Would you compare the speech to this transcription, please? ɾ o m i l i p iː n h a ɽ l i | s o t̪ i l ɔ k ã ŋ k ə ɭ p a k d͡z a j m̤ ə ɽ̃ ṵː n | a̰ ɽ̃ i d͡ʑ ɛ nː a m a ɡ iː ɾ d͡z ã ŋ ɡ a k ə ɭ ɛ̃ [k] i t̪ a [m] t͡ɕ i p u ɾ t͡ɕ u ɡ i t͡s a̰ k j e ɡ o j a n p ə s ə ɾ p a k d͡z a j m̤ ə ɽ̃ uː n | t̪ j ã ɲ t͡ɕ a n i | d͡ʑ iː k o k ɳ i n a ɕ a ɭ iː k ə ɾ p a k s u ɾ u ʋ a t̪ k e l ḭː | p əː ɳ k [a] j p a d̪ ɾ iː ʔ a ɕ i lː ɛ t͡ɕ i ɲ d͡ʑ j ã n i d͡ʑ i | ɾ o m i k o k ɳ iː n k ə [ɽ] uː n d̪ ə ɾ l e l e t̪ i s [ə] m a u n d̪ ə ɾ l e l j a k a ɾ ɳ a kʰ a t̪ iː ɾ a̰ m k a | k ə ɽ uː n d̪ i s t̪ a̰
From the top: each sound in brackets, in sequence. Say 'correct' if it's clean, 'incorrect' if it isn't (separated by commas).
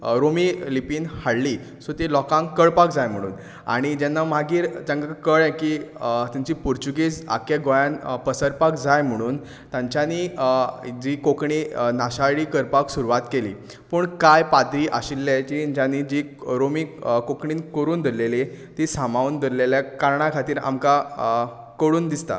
correct, incorrect, correct, incorrect, incorrect